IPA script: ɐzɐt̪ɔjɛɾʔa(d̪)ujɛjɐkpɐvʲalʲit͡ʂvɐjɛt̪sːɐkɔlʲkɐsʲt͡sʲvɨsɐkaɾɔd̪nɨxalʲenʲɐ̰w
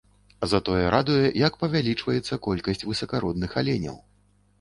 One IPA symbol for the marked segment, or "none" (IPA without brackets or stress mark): d̪